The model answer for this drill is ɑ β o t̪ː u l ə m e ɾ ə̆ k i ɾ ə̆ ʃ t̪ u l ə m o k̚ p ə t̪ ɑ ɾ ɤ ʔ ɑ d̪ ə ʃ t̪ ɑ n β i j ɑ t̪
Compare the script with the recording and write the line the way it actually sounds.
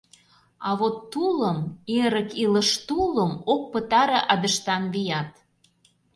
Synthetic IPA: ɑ β o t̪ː u l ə m e ɾ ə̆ k i l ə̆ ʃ t̪ u l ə m o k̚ p ə t̪ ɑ ɾ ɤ ʔ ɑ d̪ ə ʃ t̪ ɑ n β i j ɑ t̪